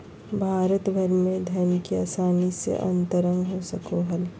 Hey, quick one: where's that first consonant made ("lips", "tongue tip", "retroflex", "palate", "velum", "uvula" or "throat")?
lips